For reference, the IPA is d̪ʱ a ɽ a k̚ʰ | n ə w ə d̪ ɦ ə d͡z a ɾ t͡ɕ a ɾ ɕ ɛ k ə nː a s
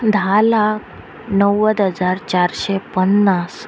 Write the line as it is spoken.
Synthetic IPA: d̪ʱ a l a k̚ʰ | n ə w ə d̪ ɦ ə d͡z a ɾ t͡ɕ a ɾ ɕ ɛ p ə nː a s